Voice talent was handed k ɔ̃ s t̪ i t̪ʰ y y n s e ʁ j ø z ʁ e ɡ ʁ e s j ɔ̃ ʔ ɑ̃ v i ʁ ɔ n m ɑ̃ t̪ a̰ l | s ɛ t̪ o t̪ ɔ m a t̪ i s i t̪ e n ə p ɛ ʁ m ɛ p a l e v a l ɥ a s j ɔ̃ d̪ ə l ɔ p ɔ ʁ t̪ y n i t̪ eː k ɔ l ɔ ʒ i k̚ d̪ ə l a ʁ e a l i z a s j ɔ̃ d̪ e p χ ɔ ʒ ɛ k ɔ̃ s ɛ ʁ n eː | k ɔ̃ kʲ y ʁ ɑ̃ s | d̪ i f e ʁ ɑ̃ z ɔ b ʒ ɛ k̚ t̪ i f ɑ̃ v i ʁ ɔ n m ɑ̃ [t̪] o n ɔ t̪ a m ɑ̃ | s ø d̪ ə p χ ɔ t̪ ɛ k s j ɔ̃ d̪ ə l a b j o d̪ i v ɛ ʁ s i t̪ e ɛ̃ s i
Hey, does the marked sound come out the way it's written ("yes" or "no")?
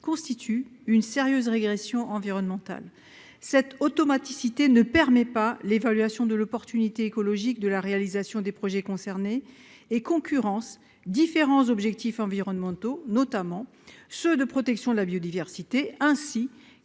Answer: yes